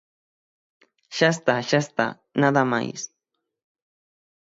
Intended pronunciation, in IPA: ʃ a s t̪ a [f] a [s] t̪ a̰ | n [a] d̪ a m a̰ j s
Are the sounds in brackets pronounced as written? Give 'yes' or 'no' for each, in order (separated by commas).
no, yes, yes